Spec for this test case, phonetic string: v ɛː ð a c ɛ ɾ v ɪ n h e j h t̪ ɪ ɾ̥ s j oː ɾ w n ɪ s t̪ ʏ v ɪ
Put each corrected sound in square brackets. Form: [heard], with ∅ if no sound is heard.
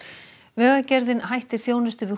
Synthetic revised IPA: v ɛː [ɣ] a c ɛ ɾ [ð] ɪ n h [a] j h t̪ ɪ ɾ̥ [θ] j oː [∅] w n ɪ s t̪ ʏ v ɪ